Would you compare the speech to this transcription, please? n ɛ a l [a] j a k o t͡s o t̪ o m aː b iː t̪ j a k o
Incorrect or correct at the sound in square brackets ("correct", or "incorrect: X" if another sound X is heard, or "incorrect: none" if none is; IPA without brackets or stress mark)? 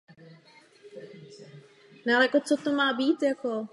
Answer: incorrect: ɛ